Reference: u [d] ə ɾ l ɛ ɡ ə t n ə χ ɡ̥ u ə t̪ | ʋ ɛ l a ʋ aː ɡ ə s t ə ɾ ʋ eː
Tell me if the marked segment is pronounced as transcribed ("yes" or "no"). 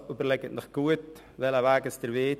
no